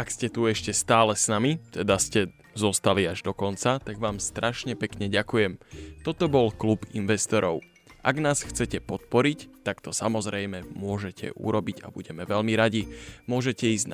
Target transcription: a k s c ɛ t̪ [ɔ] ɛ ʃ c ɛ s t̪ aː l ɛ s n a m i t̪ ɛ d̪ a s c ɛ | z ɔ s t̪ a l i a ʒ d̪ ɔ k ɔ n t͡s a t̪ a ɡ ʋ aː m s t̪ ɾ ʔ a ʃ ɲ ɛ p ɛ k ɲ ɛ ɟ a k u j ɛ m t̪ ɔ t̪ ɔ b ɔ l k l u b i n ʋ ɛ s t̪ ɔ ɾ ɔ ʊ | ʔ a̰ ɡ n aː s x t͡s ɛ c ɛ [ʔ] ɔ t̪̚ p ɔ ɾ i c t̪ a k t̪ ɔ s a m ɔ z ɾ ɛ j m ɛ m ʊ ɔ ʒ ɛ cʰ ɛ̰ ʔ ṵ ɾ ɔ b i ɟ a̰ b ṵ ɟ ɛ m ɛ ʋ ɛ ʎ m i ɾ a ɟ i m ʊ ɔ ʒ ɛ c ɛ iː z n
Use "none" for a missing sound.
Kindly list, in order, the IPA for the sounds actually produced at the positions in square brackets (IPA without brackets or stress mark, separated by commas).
u, p